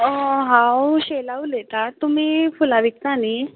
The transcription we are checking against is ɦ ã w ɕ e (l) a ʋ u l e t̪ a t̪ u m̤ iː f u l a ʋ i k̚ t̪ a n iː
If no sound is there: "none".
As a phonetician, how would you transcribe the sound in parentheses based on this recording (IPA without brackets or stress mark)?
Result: l